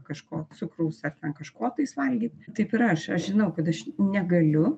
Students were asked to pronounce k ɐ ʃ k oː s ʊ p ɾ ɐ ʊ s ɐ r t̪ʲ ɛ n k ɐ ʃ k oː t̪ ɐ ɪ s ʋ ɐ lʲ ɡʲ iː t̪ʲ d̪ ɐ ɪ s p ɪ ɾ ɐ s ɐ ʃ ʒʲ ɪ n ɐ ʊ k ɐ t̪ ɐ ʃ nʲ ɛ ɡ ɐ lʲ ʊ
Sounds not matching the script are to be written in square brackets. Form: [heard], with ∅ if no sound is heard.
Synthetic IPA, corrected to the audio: k ɐ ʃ k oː s ʊ [k] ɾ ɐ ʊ s ɐ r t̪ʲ ɛ n k ɐ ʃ k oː t̪ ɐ ɪ s ʋ ɐ lʲ ɡʲ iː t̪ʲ [t̪] ɐ ɪ [∅] p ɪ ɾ ɐ [ʃ] ɐ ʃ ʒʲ ɪ n ɐ ʊ k ɐ t̪ ɐ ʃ nʲ ɛ ɡ ɐ lʲ ʊ